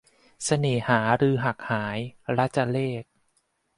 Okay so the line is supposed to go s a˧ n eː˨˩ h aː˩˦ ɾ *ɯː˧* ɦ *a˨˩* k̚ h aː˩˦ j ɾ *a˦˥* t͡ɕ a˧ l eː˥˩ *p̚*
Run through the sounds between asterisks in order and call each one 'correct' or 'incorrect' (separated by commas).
correct, correct, correct, incorrect